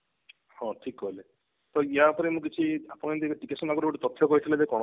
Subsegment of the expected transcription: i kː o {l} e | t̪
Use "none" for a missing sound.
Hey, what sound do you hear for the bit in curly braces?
l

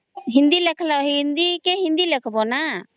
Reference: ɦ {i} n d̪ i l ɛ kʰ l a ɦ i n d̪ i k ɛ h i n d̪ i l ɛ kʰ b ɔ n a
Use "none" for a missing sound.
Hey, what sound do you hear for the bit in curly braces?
i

